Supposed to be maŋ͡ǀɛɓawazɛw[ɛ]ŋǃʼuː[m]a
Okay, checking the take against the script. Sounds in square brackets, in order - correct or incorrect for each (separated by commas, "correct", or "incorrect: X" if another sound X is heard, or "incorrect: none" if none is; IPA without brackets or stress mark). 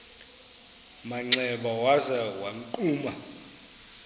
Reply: incorrect: a, correct